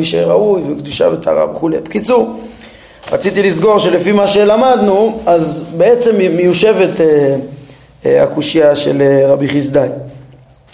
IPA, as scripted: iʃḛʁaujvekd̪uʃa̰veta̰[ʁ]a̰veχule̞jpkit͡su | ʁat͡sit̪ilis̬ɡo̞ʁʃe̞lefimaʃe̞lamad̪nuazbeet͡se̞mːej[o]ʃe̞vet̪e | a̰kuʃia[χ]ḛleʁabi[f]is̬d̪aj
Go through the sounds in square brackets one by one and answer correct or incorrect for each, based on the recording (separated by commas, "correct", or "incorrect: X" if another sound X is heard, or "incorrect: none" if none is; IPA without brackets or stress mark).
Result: correct, incorrect: u, incorrect: ʃ, incorrect: χ